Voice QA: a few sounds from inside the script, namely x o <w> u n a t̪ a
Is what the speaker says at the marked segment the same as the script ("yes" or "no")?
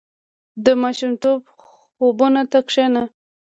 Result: no